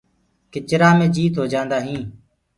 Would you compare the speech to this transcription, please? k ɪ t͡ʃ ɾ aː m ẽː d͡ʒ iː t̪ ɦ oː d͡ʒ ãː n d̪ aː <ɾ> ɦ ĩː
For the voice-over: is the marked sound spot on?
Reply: no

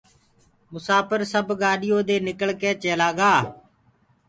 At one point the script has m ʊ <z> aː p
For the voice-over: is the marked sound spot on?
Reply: no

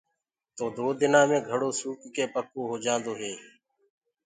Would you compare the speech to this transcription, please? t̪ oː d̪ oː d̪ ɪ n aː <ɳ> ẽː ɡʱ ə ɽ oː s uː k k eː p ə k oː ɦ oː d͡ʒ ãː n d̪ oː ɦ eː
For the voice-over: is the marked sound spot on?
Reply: no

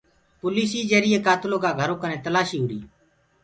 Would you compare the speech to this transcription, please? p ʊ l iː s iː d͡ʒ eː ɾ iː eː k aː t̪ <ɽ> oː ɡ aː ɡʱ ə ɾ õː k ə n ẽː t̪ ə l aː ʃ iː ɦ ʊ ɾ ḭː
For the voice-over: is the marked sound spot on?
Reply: no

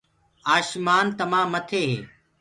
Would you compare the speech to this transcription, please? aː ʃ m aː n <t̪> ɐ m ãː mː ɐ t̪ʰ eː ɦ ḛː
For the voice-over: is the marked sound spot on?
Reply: yes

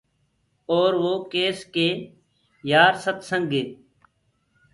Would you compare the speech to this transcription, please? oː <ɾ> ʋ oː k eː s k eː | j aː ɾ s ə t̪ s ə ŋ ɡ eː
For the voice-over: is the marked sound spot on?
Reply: yes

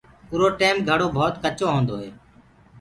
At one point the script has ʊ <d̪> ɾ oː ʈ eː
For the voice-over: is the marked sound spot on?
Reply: no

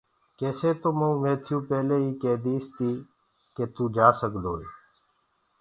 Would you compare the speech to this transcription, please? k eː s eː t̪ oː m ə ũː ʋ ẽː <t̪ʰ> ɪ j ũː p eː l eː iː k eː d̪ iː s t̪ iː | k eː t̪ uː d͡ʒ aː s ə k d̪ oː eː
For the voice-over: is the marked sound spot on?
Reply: yes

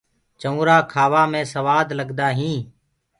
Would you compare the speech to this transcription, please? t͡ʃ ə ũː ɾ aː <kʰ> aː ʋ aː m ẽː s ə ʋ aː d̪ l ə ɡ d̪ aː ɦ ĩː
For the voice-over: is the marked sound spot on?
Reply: yes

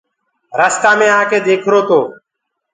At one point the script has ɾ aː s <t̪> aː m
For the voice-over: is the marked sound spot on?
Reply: yes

